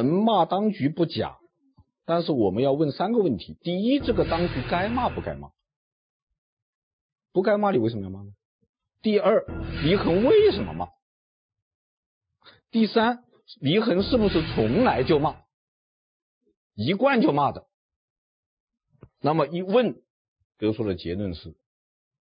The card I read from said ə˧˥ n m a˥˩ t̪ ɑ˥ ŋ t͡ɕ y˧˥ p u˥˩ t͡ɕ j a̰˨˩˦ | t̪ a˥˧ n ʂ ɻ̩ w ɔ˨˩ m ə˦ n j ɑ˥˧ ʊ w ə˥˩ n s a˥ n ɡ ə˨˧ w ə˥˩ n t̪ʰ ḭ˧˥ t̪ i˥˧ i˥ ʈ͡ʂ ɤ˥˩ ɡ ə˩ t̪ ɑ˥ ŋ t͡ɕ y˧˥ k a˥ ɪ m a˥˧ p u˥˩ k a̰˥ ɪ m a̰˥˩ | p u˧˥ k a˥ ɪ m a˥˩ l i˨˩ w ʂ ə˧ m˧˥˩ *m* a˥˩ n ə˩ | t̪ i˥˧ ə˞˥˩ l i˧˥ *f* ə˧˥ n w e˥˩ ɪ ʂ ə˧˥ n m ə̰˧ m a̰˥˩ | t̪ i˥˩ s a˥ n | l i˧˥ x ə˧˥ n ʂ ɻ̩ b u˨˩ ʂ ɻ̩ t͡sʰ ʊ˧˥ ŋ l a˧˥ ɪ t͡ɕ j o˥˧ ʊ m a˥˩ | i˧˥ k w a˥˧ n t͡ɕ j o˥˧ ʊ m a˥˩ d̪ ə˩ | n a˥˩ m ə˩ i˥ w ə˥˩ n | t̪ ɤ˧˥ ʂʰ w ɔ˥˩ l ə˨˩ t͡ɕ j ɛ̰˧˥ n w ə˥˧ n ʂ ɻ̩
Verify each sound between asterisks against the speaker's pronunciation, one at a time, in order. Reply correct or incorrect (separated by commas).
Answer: correct, incorrect